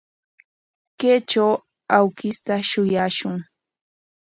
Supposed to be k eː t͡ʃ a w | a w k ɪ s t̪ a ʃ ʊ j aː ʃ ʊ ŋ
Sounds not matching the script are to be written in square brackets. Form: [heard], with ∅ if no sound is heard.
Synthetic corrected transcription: k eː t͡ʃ a w | a w k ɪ s t̪ a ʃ ʊ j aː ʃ ʊ ŋ